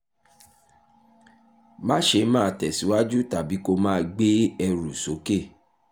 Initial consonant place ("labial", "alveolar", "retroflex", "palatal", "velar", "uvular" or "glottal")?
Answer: labial